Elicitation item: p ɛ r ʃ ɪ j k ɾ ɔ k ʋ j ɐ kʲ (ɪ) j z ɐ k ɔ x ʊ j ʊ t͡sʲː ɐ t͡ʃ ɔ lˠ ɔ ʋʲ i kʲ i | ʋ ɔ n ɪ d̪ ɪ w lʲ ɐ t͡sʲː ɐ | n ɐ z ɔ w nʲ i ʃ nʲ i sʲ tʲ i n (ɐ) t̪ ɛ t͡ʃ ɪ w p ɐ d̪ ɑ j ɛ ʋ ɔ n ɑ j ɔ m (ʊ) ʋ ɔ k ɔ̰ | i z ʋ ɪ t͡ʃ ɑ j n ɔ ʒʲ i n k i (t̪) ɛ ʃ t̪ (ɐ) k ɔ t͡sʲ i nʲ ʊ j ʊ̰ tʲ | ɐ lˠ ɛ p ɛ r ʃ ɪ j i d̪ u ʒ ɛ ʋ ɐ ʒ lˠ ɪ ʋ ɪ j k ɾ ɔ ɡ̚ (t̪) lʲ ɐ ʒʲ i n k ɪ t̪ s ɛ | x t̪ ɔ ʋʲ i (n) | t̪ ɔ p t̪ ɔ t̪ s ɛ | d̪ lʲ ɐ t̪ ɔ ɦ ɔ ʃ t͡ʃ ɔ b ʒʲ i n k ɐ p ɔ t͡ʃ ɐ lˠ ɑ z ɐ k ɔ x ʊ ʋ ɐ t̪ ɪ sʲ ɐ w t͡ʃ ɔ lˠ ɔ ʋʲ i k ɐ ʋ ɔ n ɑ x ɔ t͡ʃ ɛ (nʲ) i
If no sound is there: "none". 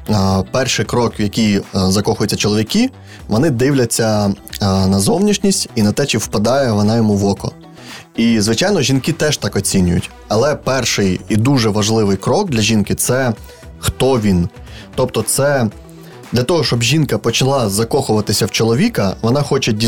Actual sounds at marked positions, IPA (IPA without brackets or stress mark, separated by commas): i, ɐ, u, t̪, ɑ, d̪, n, dʲ